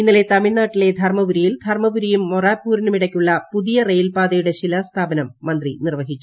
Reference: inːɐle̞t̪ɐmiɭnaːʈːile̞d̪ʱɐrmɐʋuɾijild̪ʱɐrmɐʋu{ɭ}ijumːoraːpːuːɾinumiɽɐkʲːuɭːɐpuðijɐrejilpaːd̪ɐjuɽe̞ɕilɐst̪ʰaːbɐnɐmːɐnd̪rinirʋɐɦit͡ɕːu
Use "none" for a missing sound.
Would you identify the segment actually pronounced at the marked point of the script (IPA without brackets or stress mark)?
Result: ɾ